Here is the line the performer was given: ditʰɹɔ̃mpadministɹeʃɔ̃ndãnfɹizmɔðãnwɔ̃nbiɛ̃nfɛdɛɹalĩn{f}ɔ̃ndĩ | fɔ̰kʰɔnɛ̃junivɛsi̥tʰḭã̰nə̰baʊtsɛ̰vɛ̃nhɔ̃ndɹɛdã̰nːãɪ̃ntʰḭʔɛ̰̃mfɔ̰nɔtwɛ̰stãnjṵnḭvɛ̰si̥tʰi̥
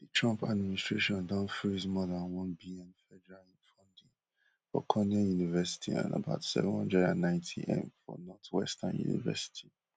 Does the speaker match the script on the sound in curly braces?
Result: yes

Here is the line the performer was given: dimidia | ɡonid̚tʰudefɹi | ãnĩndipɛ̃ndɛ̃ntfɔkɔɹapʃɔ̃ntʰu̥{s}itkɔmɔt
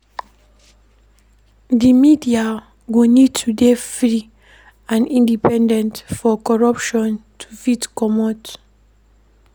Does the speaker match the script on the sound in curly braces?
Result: no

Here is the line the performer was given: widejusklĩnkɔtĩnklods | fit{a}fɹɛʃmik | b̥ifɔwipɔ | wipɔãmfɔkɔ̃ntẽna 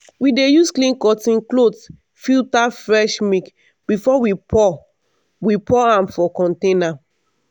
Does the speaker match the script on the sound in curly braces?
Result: yes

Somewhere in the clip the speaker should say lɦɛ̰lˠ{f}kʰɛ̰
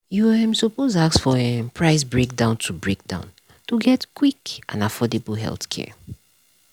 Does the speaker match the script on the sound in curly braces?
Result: no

